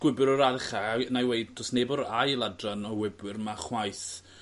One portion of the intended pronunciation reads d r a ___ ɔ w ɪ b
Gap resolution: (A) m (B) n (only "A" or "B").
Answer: B